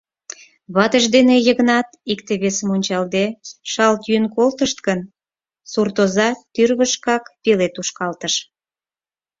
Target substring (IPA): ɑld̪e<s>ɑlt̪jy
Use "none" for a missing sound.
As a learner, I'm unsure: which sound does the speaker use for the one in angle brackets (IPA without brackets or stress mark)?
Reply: ʃ